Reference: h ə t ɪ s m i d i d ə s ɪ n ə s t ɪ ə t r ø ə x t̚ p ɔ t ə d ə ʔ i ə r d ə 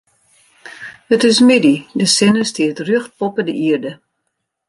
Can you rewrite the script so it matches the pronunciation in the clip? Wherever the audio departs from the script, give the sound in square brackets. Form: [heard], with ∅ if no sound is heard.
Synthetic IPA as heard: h ə t ɪ s m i d i d ə s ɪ n ə s t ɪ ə t r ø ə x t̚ p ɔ [p] ə d ə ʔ i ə r d ə

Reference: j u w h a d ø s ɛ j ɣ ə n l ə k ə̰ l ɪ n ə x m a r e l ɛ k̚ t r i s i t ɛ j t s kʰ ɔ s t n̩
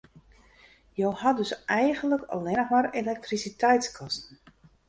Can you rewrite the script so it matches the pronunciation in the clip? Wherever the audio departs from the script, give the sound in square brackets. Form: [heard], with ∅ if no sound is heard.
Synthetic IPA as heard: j [o] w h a d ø s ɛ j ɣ ə n l ə k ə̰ l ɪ n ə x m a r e l ɛ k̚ t r i s i t ɛ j t s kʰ ɔ s t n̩

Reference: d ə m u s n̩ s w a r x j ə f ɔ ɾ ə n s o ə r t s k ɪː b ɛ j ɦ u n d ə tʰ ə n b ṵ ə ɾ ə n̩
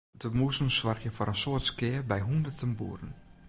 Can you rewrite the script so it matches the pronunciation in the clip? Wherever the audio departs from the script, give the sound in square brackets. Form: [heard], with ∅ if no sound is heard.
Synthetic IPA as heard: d ə m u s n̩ s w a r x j ə f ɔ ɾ ə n s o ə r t s k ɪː b ɛ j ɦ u n d ə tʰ ə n b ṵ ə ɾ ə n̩

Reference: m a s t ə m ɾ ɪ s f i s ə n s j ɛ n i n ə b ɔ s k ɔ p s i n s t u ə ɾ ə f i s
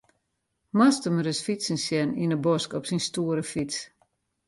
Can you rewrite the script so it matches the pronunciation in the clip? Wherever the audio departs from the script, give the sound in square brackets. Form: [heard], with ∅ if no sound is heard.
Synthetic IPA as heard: m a s t ə m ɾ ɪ s f i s ə n s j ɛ n i n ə b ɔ s k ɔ p s i n s t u ə ɾ ə f i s

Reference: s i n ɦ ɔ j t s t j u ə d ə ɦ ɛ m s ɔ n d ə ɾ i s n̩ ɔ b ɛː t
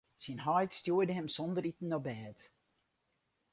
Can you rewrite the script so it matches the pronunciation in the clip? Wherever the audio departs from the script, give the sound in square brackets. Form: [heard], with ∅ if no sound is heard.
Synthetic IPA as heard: s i n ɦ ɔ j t s t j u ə d ə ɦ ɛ m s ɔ n d ə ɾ i [t] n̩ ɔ b ɛː t

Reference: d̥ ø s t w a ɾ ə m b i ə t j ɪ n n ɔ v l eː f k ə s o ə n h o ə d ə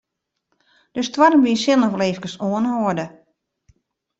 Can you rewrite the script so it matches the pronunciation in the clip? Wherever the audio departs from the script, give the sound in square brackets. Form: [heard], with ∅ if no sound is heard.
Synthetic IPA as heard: d̥ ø s t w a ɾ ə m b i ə [s] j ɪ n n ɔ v l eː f k ə s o ə n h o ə d ə

